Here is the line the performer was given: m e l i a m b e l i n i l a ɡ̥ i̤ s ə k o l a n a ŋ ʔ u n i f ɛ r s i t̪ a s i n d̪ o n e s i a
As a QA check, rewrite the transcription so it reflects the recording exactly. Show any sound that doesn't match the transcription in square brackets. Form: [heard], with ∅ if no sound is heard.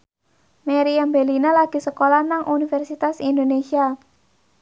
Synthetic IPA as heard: m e [ɾ] i a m b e l i n [a] l a ɡ̥ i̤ s ə k o l a n a ŋ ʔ u n i f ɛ r s i t̪ a s i n d̪ o n e s i a